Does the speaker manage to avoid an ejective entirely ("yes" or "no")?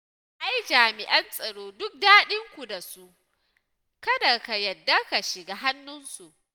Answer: no